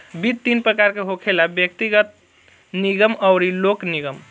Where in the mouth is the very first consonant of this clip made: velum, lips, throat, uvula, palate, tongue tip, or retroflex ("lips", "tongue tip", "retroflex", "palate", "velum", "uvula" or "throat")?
lips